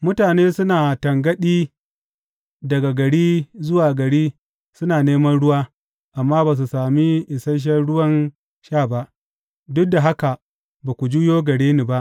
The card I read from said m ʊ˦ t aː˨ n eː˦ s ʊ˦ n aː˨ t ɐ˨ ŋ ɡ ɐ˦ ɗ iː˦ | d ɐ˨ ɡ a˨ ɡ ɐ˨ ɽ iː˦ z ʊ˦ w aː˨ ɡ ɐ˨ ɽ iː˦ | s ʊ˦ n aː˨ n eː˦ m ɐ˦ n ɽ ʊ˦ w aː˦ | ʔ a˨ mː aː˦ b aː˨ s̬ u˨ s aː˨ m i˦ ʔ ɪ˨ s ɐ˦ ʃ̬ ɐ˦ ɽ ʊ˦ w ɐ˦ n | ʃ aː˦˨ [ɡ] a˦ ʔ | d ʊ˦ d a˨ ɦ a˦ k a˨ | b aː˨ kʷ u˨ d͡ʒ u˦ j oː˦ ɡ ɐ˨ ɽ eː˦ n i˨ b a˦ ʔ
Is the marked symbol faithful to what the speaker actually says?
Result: no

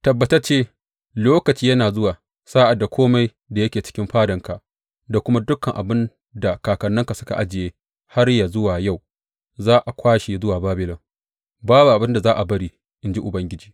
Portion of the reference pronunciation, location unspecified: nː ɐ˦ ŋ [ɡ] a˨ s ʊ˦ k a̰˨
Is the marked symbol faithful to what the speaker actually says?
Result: no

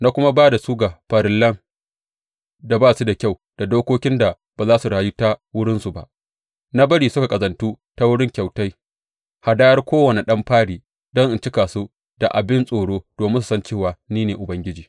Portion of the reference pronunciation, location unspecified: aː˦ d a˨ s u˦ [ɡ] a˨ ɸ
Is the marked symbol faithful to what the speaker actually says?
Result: yes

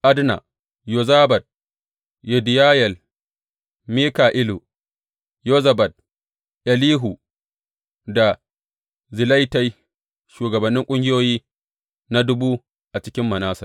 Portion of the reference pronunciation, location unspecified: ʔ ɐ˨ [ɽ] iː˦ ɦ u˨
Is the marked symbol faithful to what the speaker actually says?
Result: no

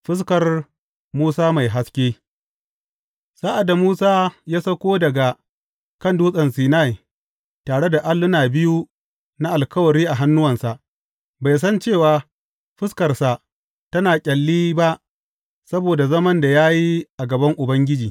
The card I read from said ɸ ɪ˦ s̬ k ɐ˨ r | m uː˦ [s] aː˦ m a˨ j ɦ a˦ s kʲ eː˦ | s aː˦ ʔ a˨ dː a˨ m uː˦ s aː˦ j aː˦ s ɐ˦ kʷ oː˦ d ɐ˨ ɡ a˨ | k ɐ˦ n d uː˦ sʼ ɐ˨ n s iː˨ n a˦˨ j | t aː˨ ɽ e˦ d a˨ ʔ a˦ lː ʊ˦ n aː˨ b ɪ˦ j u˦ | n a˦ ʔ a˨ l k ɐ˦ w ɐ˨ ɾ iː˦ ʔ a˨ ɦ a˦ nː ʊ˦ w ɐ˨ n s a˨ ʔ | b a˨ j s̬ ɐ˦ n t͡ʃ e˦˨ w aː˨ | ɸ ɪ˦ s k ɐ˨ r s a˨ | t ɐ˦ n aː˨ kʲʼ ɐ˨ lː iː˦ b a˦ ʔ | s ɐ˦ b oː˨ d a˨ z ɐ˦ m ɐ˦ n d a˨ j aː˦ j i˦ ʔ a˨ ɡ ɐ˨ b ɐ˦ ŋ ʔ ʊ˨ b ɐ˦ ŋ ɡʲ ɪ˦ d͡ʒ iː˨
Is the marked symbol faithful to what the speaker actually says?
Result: yes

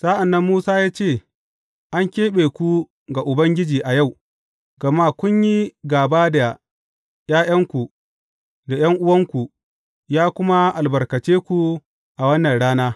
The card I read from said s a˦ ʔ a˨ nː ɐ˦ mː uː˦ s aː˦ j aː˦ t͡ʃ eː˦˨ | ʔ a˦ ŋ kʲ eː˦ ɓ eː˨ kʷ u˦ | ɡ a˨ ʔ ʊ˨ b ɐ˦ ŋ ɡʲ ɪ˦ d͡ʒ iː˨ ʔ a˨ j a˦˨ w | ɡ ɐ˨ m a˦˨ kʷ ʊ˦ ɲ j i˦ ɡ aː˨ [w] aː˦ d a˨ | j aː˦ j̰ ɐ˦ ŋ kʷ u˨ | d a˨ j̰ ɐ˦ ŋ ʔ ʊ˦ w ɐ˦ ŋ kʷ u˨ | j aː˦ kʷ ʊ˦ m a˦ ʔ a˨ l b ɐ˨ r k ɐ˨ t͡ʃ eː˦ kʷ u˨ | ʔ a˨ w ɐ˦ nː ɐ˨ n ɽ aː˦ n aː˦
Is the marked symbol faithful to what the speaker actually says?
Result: no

